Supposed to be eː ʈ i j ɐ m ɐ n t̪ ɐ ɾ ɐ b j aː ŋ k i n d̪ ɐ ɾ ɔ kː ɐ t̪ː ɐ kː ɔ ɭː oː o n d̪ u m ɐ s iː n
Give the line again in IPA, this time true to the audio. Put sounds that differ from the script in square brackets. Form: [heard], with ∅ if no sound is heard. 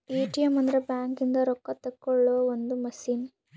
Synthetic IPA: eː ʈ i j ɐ m ɐ n [d̪] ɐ ɾ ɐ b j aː ŋ k i n d̪ ɐ ɾ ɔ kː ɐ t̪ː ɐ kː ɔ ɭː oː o n d̪ u m ɐ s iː n

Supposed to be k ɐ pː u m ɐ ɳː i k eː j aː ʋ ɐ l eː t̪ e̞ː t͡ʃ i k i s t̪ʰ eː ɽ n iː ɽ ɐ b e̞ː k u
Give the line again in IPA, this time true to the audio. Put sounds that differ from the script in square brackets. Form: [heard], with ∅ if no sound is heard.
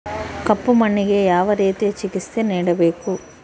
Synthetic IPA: k ɐ pː u m ɐ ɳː i [ɡ] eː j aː ʋ ɐ [ɾ] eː t̪ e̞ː t͡ʃ i k i s [t̪] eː [∅] n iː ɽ ɐ b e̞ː k u

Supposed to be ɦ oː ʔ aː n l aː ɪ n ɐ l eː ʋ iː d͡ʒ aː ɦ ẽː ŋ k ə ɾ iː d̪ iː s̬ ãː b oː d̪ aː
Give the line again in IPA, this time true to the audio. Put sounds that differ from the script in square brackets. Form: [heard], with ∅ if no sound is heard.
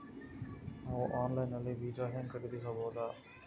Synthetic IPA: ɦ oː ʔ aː n l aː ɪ n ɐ l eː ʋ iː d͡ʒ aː ɦ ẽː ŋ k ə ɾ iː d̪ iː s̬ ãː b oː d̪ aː

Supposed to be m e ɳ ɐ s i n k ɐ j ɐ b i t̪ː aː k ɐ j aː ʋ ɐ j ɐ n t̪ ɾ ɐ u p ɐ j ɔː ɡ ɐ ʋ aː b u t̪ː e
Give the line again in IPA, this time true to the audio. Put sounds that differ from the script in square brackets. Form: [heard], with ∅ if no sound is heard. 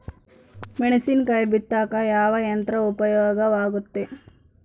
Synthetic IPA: m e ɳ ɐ s i n k ɐ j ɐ b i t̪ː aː k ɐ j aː ʋ ɐ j ɐ n t̪ ɾ ɐ u p ɐ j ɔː ɡ ɐ ʋ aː [ɡ] u t̪ː e

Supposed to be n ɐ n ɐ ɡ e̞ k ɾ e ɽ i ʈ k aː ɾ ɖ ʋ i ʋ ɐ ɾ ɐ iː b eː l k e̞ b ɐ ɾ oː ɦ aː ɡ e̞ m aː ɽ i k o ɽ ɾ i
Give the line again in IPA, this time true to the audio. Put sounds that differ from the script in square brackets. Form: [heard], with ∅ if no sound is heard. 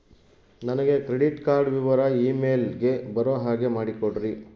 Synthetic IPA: n ɐ n ɐ ɡ e̞ k ɾ e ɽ i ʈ k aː ɾ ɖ ʋ i ʋ ɐ ɾ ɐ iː [m] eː l [ɡ] e̞ b ɐ ɾ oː ɦ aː ɡ e̞ m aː ɽ i k o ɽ ɾ i

